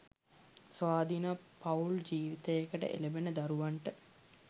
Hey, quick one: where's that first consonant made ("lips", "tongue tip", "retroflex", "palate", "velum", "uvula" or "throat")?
tongue tip